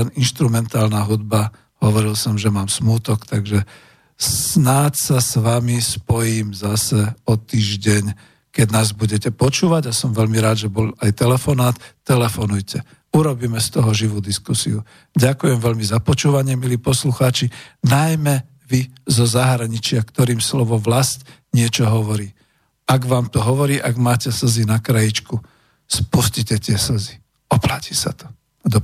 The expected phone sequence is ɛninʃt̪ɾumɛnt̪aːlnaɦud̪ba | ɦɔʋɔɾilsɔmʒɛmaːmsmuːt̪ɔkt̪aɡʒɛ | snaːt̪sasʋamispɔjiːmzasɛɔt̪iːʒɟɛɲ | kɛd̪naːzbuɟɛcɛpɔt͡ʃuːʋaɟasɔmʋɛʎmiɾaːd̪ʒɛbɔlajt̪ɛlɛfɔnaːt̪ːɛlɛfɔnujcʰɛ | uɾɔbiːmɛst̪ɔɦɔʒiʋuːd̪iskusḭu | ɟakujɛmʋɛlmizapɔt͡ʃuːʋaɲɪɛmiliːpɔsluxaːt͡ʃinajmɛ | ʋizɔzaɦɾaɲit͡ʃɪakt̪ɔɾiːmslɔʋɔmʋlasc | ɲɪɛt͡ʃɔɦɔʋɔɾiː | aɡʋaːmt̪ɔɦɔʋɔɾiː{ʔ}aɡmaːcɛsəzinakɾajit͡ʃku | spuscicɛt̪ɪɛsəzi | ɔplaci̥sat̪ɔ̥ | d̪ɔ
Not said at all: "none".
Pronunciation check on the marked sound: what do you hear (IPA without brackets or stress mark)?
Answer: ʔ